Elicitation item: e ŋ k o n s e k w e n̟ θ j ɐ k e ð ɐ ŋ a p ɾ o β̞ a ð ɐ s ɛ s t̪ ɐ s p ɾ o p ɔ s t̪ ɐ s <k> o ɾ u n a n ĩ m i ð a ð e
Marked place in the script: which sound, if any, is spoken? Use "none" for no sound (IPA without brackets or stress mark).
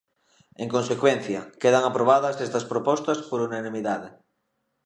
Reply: p